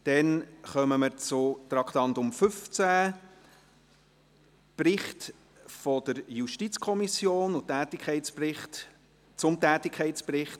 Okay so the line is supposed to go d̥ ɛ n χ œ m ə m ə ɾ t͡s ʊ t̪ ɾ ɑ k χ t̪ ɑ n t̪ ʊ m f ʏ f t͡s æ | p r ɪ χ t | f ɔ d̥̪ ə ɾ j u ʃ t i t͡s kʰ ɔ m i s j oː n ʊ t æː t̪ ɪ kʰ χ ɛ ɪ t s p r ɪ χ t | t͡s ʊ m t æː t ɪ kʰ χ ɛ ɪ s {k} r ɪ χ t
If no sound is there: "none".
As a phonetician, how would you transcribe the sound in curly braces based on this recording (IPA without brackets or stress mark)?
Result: p